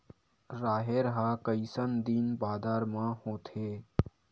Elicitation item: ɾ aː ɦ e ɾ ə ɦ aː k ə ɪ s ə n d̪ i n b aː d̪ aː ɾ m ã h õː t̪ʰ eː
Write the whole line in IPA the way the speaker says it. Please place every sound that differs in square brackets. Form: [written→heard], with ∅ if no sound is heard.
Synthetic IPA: ɾ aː ɦ e ɾ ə ɦ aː k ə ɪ s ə n d̪ i n b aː d̪ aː ɾ m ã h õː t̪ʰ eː